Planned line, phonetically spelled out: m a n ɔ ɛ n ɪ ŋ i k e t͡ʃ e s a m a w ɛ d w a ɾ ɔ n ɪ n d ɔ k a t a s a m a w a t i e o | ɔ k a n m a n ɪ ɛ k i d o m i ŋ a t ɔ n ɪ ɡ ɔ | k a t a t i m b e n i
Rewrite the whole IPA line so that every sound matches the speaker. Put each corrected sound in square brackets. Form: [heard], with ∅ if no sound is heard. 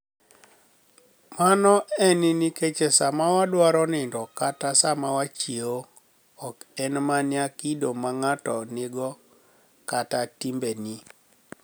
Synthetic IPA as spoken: m a n ɔ ɛ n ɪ [n] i k e t͡ʃ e s a m a w [a] d w a ɾ ɔ n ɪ n d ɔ k a t a s a m a w a [t͡ʃ] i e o | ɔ k [ɛ] n m a n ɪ [a] k i d o m [a] ŋ a t ɔ n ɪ ɡ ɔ | k a t a t i m b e n i